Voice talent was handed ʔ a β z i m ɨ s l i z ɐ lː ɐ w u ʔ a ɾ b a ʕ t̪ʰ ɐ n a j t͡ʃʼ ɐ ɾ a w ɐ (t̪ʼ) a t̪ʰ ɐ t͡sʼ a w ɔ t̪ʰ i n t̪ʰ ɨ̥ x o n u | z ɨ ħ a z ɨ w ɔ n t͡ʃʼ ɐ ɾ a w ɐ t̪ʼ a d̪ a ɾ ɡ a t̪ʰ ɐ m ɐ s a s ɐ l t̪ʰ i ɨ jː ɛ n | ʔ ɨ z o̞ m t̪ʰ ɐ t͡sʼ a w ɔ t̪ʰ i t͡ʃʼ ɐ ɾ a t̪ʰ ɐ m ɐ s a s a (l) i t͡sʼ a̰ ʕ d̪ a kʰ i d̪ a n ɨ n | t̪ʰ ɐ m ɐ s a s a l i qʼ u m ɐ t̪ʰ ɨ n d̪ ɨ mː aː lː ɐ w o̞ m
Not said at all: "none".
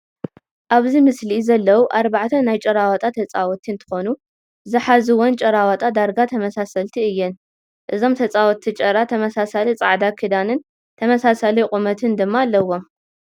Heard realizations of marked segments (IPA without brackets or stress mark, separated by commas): t̪ʼ, l